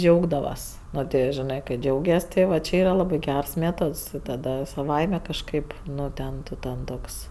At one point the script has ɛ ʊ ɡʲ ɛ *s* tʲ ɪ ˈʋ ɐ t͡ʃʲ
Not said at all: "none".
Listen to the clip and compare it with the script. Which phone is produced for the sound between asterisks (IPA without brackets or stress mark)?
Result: s